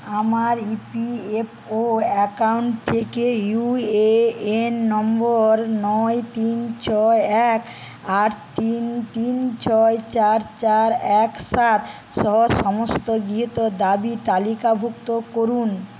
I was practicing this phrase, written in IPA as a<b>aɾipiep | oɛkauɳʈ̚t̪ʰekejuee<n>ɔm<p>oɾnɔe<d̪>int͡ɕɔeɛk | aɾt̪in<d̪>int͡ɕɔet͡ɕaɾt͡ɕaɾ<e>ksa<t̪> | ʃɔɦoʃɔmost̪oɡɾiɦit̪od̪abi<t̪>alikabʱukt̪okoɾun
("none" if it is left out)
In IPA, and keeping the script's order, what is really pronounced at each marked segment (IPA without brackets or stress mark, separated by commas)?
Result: m, nː, b, t̪, t̪, ɛ, t̪, t̪